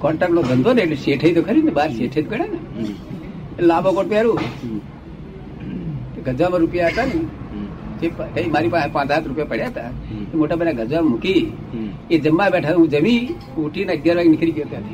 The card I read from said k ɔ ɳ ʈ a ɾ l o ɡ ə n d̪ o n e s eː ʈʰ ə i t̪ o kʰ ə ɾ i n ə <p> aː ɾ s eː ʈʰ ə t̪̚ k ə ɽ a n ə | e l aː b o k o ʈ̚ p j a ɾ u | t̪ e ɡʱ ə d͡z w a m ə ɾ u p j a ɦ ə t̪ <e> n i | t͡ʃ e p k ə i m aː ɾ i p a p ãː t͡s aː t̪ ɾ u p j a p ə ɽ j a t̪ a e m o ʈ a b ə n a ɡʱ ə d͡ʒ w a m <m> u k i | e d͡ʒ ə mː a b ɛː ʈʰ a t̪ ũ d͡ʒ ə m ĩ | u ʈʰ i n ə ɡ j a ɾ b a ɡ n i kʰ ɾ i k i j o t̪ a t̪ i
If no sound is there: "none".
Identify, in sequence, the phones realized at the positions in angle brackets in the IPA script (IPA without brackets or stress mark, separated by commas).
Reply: b, a, m